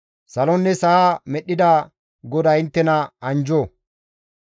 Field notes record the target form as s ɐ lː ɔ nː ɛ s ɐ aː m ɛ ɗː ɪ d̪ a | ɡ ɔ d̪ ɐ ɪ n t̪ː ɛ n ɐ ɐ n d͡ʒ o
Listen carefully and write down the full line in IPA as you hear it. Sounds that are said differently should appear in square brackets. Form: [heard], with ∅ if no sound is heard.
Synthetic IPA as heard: s ɐ [l] ɔ nː ɛ s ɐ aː m ɛ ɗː ɪ d̪ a | ɡ ɔ d̪ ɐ ɪ n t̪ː ɛ n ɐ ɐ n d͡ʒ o